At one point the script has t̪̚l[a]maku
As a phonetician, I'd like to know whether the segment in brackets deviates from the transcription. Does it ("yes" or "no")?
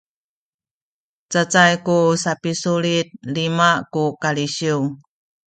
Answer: yes